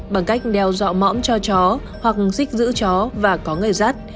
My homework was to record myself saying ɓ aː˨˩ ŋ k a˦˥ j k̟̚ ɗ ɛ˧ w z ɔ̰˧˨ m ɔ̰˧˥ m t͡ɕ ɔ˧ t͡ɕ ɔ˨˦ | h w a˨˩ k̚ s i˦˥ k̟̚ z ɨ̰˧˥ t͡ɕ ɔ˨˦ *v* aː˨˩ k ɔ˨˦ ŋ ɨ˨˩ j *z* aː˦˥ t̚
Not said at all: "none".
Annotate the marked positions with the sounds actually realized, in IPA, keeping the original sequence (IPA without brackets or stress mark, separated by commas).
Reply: v, z